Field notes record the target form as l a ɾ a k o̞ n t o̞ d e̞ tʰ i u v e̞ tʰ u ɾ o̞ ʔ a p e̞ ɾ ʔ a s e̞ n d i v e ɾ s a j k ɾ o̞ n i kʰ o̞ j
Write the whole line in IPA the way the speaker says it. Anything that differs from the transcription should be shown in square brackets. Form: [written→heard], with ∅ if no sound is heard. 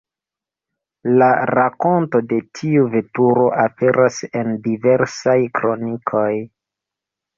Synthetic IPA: l a ɾ a k o̞ n t o̞ d e̞ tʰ i u v e̞ [tʰ→t] u ɾ o̞ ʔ a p e̞ ɾ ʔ a s e̞ n d i v e ɾ s a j k ɾ o̞ n i kʰ o̞ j